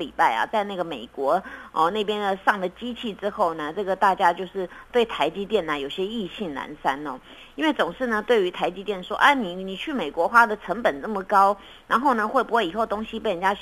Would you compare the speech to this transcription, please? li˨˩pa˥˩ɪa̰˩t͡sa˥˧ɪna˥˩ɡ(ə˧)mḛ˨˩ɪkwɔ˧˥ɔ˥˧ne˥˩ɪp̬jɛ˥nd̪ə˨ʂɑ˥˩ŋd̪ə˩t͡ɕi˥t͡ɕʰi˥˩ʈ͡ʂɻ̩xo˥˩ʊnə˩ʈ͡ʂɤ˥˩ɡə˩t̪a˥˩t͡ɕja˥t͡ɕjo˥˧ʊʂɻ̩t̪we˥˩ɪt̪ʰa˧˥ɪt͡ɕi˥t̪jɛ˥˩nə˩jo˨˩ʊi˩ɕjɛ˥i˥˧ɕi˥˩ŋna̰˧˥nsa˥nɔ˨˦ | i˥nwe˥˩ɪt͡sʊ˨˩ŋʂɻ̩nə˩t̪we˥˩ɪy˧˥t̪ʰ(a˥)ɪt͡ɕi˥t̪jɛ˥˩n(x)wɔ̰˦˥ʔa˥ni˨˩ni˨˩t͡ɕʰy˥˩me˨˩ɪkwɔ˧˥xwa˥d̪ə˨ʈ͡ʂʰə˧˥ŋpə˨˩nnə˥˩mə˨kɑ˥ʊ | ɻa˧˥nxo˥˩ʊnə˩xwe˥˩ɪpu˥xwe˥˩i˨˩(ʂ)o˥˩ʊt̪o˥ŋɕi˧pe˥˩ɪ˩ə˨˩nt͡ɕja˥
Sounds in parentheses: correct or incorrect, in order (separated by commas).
incorrect, incorrect, incorrect, incorrect